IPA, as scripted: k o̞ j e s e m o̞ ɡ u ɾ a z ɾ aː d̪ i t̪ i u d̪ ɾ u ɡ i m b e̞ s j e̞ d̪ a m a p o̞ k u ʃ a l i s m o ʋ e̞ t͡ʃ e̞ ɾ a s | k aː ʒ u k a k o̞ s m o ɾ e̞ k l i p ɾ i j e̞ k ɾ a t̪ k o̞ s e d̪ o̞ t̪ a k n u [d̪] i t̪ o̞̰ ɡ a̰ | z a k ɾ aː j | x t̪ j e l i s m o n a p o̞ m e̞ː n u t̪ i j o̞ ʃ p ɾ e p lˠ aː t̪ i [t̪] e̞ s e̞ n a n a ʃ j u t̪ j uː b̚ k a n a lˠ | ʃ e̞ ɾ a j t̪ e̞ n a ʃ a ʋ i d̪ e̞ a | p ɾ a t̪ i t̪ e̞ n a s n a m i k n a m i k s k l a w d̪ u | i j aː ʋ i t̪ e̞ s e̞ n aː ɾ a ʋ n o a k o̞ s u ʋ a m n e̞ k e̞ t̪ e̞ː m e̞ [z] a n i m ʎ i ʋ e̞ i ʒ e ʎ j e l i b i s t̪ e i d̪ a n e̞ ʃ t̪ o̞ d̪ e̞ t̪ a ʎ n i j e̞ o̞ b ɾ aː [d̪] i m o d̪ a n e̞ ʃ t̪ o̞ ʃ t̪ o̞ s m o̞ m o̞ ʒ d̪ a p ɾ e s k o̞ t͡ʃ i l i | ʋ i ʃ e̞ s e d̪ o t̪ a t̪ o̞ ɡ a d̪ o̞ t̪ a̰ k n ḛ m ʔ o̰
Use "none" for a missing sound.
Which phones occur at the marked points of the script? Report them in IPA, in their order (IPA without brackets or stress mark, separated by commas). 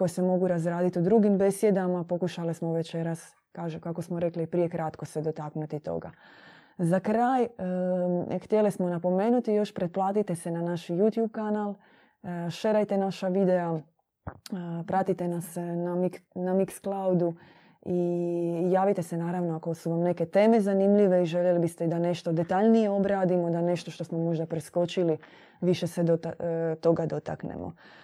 t̪, t̪, z, d̪